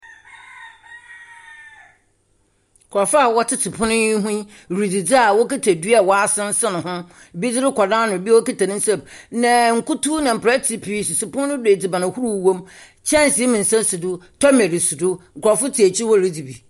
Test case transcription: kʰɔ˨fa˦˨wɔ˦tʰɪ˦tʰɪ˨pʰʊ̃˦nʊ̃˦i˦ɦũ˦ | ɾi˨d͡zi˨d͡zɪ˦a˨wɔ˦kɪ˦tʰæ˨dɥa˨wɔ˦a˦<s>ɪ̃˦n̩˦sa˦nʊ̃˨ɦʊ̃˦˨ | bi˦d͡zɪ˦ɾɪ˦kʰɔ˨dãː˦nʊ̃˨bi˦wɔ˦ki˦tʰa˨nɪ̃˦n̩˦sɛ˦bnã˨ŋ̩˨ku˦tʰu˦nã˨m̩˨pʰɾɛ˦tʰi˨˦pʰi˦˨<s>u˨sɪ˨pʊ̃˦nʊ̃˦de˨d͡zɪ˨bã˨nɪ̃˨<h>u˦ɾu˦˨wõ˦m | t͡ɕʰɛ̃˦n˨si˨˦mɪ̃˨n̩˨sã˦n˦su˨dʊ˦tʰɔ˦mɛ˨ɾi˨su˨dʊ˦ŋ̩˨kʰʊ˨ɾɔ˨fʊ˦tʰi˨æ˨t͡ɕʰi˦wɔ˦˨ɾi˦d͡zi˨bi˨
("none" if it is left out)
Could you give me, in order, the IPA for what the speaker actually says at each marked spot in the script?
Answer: s, s, h

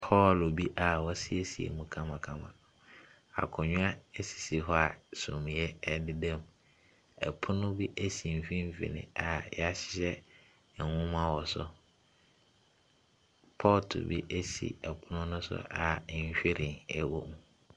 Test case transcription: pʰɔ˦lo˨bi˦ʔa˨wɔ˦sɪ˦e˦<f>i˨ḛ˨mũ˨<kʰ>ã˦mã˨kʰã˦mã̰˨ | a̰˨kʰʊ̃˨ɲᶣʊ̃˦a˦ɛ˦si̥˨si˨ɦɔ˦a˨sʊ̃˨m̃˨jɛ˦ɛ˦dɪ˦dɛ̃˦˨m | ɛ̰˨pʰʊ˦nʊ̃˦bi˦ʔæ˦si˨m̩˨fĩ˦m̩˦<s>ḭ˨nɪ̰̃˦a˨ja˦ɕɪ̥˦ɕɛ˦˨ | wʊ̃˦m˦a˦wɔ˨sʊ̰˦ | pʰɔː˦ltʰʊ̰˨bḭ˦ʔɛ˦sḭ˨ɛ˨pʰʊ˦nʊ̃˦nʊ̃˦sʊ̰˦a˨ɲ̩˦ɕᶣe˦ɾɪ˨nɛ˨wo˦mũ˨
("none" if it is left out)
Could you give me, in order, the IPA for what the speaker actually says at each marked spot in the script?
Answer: s, kʰ, f

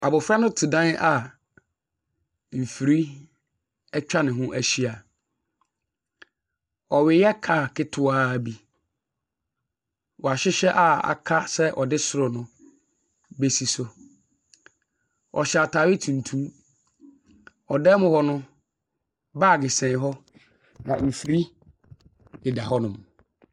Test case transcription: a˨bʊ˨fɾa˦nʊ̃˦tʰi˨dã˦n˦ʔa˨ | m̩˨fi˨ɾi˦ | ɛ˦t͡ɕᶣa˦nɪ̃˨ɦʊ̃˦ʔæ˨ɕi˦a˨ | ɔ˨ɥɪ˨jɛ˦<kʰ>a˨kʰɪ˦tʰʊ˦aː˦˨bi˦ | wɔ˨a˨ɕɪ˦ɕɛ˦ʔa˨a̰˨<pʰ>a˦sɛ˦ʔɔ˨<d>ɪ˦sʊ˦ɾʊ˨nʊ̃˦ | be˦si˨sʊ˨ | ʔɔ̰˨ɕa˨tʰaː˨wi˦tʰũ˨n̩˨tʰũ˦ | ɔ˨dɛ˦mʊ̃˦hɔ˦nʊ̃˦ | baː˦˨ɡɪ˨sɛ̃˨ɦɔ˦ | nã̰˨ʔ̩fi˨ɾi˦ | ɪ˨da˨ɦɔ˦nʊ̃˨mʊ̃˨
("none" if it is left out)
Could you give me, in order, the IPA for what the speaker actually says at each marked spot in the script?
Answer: kʰ, kʰ, d

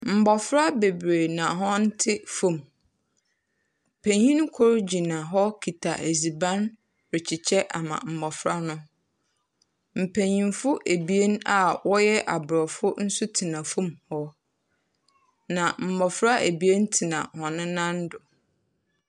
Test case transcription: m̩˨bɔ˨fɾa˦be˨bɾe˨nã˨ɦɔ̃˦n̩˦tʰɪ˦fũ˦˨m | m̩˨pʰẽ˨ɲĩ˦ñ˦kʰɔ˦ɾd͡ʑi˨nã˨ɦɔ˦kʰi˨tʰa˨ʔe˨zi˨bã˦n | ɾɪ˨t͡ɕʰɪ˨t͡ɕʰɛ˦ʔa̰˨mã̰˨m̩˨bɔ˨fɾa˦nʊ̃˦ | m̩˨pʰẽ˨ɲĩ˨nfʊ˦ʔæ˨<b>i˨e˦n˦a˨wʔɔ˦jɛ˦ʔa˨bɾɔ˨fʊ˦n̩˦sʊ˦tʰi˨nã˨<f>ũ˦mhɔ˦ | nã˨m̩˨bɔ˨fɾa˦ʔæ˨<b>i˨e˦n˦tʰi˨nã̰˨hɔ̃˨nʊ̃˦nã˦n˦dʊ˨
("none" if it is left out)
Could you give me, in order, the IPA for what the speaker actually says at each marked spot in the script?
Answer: b, f, b

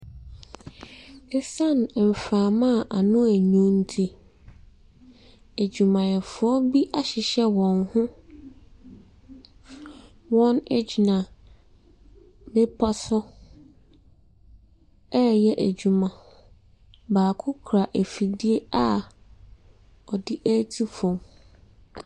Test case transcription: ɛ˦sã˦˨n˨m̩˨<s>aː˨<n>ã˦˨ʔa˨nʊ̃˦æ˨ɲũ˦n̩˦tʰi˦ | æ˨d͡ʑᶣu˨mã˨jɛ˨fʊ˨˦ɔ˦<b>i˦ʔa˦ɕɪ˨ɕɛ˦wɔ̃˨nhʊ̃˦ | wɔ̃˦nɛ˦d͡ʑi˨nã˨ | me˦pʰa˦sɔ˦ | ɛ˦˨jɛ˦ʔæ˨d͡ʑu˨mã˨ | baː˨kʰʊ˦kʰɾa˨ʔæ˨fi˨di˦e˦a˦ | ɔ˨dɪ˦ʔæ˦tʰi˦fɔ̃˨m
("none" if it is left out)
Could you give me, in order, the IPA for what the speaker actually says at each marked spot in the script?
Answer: f, m, b

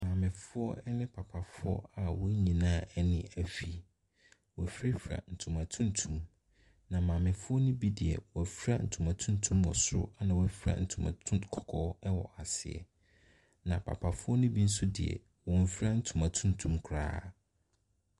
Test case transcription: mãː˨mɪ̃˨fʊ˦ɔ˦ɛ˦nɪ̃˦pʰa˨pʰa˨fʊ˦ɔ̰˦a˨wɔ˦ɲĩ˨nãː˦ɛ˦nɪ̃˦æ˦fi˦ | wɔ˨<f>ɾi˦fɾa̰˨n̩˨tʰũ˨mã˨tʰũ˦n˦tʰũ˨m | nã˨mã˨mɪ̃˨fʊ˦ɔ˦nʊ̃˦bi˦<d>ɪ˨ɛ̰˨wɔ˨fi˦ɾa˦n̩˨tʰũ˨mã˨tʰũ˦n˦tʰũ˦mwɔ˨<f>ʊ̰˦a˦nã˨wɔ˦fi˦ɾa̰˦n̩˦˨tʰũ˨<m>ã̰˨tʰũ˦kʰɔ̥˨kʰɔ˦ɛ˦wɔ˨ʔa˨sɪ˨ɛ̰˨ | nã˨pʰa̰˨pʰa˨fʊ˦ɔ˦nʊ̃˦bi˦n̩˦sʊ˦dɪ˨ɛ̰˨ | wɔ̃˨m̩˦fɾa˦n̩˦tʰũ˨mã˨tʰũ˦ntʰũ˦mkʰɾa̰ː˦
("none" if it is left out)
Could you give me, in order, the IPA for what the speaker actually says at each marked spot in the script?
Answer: f, d, s, m

